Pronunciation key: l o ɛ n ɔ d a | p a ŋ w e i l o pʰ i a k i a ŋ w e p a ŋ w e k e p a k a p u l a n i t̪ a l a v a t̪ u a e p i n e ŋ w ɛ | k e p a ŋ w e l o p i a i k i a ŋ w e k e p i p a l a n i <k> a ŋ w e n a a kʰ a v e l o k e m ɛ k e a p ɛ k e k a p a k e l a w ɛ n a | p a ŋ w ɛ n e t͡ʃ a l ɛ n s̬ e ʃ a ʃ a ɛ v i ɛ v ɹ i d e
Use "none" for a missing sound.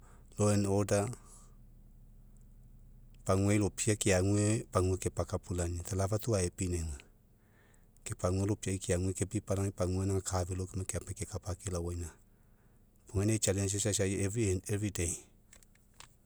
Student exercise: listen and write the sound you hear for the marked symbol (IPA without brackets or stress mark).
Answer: p